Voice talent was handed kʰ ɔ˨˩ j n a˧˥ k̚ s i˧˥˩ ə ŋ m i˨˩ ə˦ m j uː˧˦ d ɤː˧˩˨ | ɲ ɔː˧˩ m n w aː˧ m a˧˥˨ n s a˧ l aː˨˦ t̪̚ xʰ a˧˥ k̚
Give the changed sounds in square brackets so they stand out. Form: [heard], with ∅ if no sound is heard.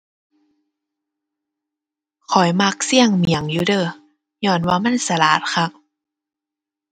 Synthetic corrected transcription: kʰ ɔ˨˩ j [m] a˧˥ k̚ s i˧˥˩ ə ŋ m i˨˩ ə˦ [ŋ] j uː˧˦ d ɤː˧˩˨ | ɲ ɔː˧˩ [∅] n w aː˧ m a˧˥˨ n s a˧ l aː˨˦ t̪̚ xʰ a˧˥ k̚